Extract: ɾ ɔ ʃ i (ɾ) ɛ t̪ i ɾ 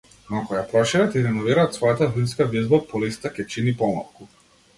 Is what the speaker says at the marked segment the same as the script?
yes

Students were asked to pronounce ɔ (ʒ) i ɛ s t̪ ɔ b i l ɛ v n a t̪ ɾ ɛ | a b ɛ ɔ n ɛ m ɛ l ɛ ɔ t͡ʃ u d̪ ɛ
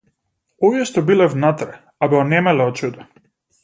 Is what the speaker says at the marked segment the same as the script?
no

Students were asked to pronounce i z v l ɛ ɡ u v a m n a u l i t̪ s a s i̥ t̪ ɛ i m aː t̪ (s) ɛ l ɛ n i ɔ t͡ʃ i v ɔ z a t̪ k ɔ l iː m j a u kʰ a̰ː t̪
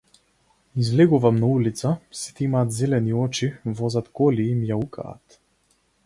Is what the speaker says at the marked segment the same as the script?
no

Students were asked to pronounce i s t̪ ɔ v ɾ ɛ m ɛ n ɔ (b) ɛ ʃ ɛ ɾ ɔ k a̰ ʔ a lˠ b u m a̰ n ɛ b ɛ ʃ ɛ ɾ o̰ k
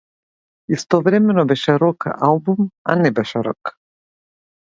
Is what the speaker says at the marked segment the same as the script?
yes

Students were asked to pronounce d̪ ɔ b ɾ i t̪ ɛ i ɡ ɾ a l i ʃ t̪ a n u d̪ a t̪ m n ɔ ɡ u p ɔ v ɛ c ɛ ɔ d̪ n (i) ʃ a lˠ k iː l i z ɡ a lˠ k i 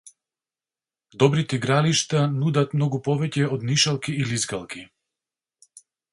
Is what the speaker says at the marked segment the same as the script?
yes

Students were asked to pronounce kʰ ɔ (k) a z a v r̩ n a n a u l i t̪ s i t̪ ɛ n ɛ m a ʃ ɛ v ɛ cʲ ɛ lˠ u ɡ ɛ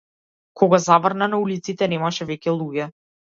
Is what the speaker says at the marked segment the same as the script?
no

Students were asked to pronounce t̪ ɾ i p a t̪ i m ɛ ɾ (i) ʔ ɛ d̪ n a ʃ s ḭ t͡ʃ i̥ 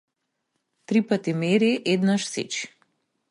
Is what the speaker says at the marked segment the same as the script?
yes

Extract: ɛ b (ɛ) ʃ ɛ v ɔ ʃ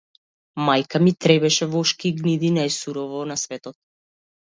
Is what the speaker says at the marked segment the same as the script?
yes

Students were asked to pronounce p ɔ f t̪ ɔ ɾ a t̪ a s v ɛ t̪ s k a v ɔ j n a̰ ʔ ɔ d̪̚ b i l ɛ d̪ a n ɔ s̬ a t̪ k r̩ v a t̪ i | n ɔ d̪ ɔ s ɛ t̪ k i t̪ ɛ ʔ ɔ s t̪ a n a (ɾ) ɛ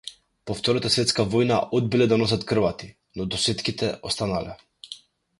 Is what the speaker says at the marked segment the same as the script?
no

